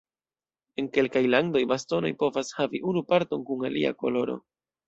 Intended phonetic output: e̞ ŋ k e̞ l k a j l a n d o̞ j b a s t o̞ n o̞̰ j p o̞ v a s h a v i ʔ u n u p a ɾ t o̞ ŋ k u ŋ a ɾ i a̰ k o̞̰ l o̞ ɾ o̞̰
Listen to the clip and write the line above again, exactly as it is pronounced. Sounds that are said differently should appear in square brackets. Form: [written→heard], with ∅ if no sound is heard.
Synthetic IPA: e̞ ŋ k e̞ l k a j l a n d o̞ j b a s t o̞ n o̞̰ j p o̞ v a s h a v i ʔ u n u p a ɾ t o̞ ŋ k u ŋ a [ɾ→l] i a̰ k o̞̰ l o̞ ɾ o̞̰